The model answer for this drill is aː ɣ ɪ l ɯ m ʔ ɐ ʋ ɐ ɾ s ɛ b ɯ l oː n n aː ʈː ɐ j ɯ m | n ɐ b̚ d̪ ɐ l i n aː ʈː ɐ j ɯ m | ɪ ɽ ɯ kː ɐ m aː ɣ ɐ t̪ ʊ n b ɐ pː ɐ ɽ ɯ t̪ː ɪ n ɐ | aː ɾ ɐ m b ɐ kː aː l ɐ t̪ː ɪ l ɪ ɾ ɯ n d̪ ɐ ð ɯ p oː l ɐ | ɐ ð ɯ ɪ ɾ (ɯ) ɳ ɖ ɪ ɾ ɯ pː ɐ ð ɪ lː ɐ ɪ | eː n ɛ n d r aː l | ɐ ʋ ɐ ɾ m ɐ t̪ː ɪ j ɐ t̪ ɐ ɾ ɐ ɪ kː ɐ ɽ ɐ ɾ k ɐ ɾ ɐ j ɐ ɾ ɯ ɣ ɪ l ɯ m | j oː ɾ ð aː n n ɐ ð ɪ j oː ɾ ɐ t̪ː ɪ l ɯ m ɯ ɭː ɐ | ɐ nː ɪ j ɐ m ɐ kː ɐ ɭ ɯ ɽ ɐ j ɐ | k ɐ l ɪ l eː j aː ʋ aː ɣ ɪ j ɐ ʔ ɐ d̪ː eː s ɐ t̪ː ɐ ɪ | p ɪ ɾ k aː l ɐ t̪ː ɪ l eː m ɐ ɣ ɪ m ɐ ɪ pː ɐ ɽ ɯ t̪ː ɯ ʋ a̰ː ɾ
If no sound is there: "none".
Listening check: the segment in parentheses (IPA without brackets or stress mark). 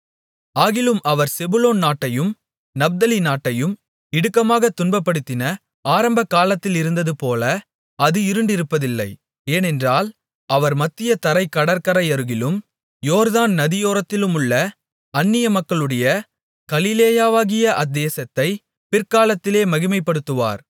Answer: ɯ